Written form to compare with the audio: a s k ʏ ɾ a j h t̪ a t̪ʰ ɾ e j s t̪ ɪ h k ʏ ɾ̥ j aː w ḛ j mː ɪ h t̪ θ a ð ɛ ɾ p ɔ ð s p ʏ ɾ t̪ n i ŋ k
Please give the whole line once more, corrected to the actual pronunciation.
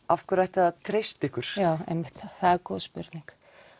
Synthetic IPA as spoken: a f k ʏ ɾ a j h t̪ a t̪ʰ ɾ e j s t̪ ɪ h k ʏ ɾ̥ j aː w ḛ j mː ɪ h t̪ θ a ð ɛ ɾ k ɔ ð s p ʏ ɾ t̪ n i ŋ k